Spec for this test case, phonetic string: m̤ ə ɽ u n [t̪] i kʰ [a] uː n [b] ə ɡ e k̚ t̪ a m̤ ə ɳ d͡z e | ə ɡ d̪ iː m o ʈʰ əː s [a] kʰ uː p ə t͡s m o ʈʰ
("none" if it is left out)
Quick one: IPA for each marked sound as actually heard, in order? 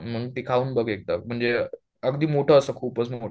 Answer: t̪, a, b, ə

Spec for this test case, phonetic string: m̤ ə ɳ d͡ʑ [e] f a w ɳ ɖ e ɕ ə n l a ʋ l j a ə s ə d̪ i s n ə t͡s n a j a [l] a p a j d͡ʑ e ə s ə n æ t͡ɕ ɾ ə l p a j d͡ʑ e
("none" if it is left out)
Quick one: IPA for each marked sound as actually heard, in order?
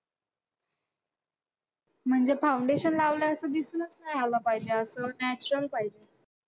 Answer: e, l

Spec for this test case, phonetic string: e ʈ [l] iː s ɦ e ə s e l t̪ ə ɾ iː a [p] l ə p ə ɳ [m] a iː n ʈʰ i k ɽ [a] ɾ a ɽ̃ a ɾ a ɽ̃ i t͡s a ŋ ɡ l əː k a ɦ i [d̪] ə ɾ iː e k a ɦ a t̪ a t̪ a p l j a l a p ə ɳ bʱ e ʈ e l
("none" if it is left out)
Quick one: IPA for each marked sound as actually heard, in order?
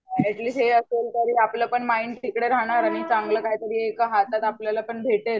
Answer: l, p, m, e, t̪

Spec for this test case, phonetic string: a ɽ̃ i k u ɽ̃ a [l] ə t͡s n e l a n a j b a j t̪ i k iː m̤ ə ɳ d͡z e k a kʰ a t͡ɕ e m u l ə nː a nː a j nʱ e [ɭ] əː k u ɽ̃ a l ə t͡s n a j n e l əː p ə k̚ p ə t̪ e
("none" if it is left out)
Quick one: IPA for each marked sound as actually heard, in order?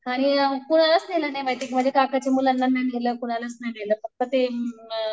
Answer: l, l

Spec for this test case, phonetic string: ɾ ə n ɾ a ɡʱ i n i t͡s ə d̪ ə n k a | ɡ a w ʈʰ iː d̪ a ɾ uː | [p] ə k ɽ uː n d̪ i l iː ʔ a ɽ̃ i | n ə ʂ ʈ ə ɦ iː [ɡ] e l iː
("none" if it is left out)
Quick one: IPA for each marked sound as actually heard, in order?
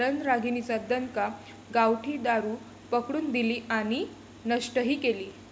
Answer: p, k

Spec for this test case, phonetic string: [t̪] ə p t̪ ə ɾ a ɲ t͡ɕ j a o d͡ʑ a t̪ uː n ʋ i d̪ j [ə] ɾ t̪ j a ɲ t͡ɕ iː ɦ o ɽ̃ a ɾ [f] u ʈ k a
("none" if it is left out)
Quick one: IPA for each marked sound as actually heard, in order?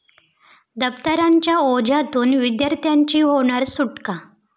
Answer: d̪, a, s

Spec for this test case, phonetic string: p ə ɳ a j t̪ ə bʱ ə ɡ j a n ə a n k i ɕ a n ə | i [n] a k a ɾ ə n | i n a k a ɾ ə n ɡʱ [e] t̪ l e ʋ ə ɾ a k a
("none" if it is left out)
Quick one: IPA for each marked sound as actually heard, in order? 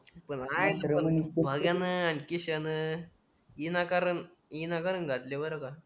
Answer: n, a

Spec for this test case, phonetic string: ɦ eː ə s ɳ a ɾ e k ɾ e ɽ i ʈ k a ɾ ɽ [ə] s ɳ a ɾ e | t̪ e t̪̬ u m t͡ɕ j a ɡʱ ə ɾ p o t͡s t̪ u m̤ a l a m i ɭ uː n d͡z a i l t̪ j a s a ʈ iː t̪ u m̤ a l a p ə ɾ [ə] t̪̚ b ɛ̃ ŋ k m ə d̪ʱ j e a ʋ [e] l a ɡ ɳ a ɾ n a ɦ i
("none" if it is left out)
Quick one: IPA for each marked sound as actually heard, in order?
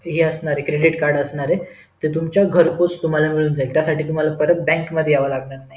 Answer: ə, ə, a

